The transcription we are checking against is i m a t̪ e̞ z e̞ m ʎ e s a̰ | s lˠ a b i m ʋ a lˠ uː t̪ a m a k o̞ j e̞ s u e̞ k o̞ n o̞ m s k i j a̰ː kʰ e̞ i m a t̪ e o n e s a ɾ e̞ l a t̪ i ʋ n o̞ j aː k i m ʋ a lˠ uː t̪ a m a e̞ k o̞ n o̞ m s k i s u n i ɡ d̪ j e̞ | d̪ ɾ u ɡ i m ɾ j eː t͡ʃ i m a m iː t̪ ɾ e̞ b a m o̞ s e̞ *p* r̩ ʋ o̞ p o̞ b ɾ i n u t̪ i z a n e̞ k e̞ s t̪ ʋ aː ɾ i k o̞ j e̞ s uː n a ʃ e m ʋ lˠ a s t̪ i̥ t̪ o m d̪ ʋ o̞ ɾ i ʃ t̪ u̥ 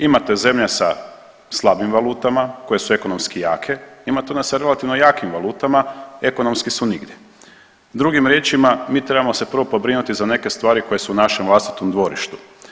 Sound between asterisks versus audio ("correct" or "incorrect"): correct